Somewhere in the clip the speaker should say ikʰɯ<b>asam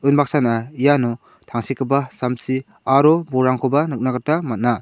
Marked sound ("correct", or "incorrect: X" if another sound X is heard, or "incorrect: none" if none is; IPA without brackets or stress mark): correct